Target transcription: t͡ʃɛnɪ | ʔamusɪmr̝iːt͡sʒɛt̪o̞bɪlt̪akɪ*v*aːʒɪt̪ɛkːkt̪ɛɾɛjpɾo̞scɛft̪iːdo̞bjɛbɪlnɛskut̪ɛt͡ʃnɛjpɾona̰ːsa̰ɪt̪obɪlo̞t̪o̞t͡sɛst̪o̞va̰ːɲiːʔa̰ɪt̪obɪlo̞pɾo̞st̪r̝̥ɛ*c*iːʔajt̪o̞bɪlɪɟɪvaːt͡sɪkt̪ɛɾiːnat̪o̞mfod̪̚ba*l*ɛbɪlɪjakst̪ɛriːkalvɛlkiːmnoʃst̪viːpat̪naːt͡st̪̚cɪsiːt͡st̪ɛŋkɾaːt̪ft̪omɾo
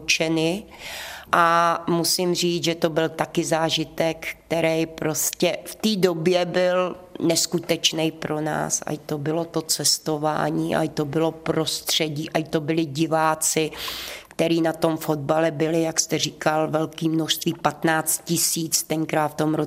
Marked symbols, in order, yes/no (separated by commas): no, no, yes